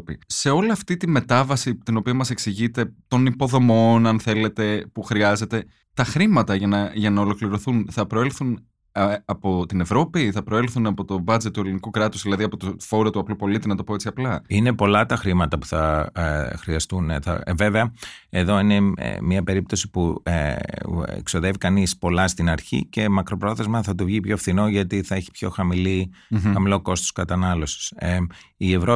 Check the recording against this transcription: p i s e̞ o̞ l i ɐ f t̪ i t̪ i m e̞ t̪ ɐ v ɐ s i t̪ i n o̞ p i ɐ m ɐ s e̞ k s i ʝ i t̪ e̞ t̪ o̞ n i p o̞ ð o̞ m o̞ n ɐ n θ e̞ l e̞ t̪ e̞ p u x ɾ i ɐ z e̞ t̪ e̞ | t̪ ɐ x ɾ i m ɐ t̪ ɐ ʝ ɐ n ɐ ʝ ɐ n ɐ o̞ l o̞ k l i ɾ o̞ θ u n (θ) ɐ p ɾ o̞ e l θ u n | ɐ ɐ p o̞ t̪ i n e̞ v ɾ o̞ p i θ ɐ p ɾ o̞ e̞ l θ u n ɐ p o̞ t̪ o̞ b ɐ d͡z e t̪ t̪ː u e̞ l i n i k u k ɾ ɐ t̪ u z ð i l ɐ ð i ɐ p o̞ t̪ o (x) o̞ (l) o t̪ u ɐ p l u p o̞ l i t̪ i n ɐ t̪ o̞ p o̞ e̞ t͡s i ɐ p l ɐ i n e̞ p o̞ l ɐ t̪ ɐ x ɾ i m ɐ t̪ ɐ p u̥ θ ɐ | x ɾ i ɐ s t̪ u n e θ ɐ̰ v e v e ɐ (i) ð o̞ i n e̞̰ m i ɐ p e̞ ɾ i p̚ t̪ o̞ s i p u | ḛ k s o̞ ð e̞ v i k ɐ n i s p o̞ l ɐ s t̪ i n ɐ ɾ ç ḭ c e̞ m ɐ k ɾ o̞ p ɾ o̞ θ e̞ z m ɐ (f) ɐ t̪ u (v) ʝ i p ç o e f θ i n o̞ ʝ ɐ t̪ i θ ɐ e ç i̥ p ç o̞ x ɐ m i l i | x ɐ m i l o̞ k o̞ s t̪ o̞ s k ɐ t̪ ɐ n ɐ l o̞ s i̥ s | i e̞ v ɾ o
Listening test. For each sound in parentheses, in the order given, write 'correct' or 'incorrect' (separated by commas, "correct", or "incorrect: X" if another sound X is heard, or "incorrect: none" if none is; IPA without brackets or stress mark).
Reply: correct, incorrect: f, incorrect: ɾ, incorrect: e, incorrect: θ, correct